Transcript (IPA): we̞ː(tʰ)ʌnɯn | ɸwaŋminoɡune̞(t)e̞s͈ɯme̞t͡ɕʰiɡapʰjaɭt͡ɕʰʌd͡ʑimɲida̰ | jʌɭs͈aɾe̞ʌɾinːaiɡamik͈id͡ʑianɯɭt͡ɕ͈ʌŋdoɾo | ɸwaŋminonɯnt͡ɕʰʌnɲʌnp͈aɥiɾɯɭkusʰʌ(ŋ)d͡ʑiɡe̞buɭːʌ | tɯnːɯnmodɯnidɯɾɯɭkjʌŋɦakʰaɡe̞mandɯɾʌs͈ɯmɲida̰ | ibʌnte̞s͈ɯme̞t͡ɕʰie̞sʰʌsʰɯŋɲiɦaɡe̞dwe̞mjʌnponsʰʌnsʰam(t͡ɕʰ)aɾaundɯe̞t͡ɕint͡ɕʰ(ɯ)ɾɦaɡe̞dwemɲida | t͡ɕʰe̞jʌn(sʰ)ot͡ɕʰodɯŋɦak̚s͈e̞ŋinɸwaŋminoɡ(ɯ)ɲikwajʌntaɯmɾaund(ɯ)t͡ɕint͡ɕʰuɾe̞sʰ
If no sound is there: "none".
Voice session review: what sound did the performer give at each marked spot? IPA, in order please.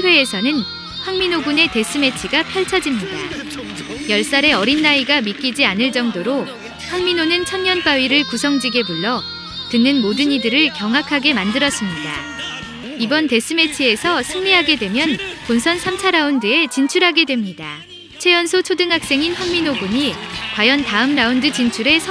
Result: sʰ, t, ŋ, t͡ɕʰ, u, sʰ, u, ɯ

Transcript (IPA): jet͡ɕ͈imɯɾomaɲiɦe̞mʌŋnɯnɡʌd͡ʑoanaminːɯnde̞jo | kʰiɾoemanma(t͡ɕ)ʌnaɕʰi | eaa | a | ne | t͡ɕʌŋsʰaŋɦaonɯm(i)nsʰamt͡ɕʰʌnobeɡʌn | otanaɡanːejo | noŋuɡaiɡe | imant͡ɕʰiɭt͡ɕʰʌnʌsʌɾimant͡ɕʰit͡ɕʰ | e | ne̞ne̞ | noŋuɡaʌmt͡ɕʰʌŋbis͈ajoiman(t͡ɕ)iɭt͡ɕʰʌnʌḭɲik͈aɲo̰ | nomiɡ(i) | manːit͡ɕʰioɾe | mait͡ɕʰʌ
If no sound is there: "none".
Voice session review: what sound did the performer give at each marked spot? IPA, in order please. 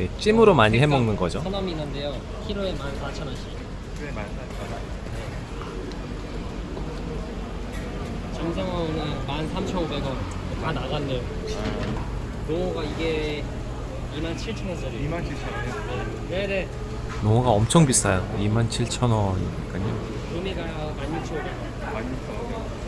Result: t͡ɕʰ, a, t͡ɕʰ, a

